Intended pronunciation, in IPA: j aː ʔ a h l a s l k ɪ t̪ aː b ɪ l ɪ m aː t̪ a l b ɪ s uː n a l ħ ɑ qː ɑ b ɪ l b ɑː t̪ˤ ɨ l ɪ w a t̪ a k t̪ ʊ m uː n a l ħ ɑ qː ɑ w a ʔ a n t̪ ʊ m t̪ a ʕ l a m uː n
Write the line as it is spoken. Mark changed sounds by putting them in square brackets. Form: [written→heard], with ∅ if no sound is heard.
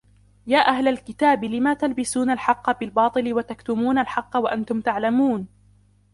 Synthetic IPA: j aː ʔ a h l a [s→∅] l k ɪ t̪ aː b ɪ l ɪ m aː t̪ a l b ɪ s uː n a l ħ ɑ qː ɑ b ɪ l b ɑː t̪ˤ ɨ l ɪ w a t̪ a k t̪ ʊ m uː n a l ħ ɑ qː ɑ w a ʔ a n t̪ ʊ m t̪ a ʕ l a m uː n

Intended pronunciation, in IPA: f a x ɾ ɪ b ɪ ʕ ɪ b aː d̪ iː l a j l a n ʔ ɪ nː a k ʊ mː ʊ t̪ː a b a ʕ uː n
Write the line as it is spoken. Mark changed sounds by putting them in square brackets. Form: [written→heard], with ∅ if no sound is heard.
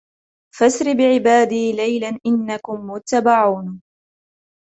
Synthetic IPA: f a [x→s] ɾ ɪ b ɪ ʕ ɪ b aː d̪ iː l a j l a n ʔ ɪ nː a k ʊ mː ʊ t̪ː a b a ʕ uː n

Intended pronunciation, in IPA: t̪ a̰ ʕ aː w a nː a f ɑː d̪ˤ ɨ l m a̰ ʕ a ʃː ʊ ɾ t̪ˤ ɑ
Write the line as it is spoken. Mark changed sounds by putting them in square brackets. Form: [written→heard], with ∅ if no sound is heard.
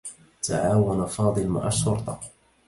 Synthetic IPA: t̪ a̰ ʕ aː w a [nː→n] a f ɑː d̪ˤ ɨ l m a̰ ʕ a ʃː ʊ ɾ t̪ˤ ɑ

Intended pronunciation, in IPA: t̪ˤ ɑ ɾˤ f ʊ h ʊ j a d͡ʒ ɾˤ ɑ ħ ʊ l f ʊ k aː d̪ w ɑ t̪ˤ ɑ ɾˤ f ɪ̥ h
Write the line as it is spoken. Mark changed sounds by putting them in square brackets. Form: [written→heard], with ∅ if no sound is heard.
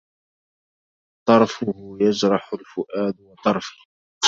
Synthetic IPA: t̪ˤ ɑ ɾˤ f ʊ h ʊ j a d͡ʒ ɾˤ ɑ ħ ʊ l f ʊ [k→ʔ] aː d̪ w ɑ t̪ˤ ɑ ɾˤ f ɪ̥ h

